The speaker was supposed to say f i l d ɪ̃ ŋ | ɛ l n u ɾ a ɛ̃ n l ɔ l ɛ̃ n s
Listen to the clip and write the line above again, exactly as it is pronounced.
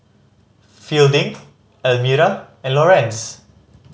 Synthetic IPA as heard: f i l d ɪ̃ ŋ | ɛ l m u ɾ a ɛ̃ n l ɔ ɹ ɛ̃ n s